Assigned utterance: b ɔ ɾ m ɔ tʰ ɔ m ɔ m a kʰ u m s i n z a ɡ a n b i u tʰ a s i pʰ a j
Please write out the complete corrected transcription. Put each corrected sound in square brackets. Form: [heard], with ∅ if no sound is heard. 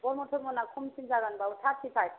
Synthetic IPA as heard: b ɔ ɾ m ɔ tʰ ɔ m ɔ [n] a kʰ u m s i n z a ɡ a n b [a] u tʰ a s i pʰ a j

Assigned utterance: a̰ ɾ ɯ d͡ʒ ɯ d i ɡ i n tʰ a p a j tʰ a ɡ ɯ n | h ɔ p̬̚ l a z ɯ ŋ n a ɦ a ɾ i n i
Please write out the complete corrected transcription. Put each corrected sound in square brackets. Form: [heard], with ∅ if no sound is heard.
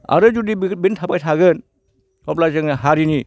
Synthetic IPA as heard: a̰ ɾ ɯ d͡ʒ [u] d i [b] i n tʰ a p a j tʰ a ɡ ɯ n | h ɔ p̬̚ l a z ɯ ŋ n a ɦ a ɾ i n i

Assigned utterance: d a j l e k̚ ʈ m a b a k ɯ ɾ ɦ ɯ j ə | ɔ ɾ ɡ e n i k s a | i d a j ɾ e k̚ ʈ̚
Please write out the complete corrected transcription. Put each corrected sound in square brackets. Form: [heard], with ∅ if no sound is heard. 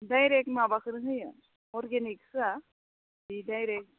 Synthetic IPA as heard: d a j [ɾ] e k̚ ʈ m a b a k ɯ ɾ ɦ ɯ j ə | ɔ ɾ ɡ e n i k s a | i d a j ɾ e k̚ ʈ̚

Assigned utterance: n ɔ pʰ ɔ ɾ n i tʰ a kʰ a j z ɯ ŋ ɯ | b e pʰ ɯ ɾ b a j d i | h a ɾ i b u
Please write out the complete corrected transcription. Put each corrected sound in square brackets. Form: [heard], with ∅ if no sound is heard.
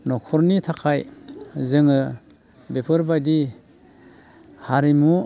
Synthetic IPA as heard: n ɔ [kʰ] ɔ ɾ n i tʰ a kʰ a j z ɯ ŋ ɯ | b e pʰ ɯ ɾ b a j d i | h a ɾ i [m] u

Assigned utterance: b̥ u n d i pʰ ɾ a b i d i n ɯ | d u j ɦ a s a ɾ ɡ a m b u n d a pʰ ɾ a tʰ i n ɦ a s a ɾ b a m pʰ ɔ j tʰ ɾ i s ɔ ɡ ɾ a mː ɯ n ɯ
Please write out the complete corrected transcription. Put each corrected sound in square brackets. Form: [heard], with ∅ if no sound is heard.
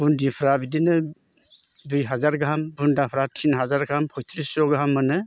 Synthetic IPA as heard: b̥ u n d i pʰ ɾ a b i d i n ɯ | d u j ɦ a [z] a ɾ ɡ a m b u n d a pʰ ɾ a tʰ i n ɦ a [z] a ɾ [ɡ] a m pʰ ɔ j tʰ ɾ i s ɔ ɡ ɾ a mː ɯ n ɯ

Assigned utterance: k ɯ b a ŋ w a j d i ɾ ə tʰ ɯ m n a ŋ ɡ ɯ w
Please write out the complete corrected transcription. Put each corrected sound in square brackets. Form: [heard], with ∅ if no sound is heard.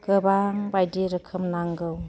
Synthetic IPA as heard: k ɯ b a ŋ [b] a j d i ɾ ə [kʰ] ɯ m n a ŋ ɡ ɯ w

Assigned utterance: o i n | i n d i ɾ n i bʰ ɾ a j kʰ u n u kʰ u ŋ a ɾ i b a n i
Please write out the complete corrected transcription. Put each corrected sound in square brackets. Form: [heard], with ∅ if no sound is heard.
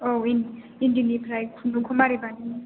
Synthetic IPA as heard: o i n | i n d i [∅] n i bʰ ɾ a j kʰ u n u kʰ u [m] a ɾ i b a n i

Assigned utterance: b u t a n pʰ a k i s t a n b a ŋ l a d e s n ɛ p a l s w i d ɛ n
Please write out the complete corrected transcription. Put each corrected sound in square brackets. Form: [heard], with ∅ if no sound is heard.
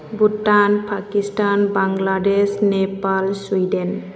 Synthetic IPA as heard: b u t a n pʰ a k i s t a n b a ŋ l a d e s n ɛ p a l s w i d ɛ n

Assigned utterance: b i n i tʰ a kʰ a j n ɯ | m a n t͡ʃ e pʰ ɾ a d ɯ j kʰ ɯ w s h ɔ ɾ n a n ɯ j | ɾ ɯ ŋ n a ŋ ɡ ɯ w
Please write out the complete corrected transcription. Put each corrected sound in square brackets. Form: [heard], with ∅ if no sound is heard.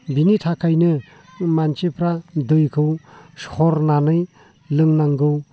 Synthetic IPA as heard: b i n i tʰ a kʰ a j n ɯ | m a n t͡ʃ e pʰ ɾ a d ɯ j kʰ ɯ w s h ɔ ɾ n a n ɯ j | [l] ɯ ŋ n a ŋ ɡ ɯ w

